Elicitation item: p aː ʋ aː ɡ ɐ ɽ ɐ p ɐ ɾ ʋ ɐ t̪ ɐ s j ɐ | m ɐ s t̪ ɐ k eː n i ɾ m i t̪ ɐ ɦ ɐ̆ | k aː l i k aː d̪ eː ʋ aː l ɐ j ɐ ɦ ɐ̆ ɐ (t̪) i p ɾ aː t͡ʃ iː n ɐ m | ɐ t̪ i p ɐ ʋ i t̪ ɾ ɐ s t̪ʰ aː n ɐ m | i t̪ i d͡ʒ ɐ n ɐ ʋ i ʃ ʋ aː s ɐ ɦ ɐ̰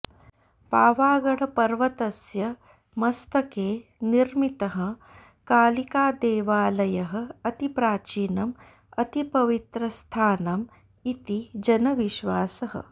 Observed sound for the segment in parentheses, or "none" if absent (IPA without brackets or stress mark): t̪